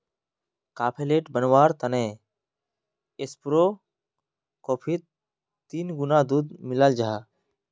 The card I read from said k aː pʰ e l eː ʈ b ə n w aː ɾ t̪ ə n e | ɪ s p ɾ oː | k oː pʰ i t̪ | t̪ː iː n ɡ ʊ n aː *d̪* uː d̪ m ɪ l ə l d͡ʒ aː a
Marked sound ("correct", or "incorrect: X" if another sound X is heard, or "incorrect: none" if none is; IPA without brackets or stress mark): correct